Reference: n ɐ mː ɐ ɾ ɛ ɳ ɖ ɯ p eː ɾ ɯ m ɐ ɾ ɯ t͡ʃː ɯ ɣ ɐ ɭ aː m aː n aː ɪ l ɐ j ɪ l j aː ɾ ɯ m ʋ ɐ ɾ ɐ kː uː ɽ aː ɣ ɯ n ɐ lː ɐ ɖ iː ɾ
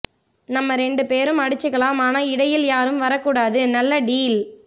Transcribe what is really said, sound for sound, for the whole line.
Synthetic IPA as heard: n ɐ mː ɐ ɾ ɛ ɳ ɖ ɯ p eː ɾ ɯ m ɐ ɽ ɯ t͡ʃː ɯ ɣ ɐ ɭ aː m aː n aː ɪ ɽ ɐ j ɪ l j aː ɾ ɯ m ʋ ɐ ɾ ɐ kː uː ɽ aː ð ɯ n ɐ lː ɐ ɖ iː l